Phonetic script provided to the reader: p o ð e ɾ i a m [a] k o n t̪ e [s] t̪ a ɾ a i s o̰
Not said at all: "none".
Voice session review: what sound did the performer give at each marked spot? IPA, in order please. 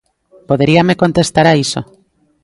e, s

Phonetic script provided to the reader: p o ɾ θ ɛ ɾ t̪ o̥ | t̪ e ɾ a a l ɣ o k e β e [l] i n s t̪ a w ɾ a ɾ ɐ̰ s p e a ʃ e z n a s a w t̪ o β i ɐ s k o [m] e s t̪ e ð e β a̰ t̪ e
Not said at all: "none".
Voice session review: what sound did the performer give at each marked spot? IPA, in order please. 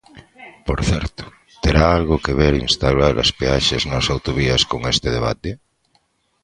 ɾ, ŋ

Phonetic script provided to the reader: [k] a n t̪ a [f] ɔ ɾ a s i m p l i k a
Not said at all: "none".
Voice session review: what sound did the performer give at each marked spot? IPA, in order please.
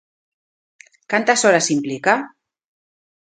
k, s

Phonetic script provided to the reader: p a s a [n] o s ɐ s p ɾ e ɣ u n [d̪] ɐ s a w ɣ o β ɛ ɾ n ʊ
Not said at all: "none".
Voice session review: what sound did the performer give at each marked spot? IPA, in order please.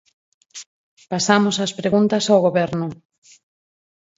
m, t̪

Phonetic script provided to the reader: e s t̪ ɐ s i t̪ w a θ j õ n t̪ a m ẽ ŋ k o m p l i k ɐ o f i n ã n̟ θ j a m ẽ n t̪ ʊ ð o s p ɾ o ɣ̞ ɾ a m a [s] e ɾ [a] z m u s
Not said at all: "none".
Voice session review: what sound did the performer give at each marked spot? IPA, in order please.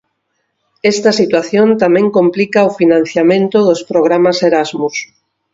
s, a

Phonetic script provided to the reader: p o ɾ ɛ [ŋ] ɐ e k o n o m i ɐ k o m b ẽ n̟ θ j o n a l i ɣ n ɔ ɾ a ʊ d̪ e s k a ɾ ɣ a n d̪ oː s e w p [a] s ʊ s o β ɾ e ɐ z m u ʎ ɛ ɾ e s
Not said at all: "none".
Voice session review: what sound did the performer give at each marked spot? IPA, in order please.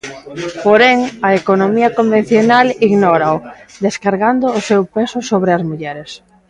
ŋ, e

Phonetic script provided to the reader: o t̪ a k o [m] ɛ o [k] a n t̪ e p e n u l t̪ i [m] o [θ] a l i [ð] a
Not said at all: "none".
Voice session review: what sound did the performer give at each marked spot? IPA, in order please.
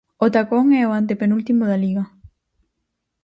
ŋ, none, m, ð, ɣ

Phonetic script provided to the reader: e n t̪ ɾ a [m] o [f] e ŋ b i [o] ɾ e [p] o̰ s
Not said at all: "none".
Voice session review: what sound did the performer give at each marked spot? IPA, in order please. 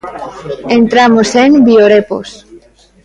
m, s, o, p

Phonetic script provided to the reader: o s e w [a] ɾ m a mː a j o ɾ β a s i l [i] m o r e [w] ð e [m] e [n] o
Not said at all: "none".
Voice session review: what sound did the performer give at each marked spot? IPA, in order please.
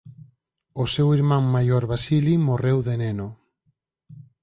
i, i, w, n, n

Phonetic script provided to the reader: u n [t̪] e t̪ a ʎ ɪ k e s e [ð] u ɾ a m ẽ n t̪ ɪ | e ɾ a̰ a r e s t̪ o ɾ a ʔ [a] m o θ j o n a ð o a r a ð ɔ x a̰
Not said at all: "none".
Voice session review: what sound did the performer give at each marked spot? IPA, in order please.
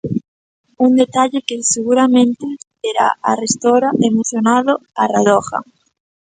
d̪, ɣ, e

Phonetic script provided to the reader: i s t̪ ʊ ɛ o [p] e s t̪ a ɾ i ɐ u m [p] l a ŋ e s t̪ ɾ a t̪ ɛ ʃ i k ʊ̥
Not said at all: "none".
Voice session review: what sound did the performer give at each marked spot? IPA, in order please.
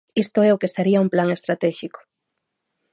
k, p

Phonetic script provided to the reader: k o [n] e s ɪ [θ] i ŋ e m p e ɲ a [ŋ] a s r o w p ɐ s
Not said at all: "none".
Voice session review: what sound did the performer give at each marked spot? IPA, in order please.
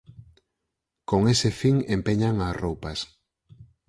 ŋ, f, ŋ

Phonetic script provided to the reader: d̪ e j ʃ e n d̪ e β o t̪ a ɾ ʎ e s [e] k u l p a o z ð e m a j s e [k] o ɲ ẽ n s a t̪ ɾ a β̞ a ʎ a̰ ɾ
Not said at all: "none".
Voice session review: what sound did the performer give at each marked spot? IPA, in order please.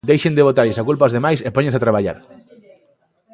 a, p

